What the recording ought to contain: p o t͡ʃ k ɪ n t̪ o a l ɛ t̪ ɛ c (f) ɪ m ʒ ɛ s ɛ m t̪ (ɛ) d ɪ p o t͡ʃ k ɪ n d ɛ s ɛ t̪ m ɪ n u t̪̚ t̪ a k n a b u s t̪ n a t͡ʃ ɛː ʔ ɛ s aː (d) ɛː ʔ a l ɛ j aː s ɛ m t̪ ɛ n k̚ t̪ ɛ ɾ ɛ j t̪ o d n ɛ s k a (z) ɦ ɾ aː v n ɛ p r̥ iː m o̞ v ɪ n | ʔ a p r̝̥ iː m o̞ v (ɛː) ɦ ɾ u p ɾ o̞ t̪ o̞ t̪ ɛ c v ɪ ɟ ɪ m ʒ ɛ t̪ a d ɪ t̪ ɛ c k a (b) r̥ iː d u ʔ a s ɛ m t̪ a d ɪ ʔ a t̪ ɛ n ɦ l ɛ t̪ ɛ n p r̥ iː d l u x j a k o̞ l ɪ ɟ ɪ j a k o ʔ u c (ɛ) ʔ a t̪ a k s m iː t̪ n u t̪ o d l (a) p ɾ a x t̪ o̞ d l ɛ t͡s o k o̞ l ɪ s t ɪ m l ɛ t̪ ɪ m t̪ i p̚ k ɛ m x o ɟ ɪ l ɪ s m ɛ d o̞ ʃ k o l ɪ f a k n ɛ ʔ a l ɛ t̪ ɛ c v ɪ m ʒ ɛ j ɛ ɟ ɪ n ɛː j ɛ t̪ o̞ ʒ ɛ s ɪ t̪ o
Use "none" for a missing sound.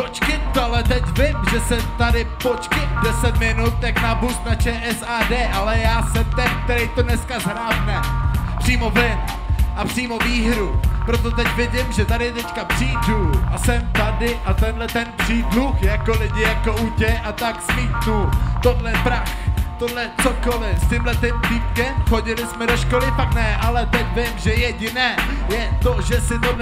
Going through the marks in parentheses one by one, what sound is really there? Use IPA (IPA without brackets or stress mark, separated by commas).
v, a, d, z, iː, p, ɛ, ɛ